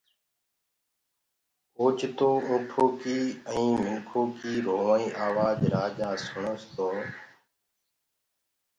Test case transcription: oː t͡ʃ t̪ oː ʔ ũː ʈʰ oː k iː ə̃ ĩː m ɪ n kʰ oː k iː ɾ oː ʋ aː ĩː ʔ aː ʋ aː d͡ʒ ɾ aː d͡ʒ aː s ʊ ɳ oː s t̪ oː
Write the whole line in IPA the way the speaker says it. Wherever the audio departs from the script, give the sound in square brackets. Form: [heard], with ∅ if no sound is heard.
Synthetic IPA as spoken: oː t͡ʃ t̪ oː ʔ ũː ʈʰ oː k iː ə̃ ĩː m ɪ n kʰ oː k iː ɾ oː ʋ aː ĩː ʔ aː ʋ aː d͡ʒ ɾ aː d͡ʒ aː s ʊ ɳ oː s t̪ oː